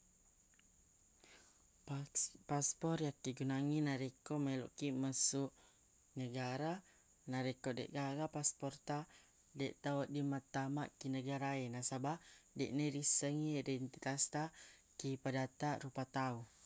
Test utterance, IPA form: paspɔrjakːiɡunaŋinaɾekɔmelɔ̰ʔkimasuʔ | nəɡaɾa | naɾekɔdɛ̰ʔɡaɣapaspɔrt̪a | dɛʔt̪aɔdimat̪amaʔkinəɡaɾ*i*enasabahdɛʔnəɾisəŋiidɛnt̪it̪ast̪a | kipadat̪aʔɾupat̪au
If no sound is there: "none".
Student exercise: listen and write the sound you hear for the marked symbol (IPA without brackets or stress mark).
a